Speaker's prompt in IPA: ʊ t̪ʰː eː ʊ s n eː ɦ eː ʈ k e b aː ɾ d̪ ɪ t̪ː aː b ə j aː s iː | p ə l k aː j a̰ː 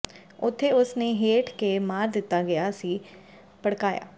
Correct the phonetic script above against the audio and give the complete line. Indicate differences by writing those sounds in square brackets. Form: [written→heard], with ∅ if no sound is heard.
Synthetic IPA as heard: ʊ t̪ʰː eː ʊ s n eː ɦ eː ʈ k e [b→m] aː ɾ d̪ ɪ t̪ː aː [b→ɡ] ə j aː s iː | p ə [l→ɽ] k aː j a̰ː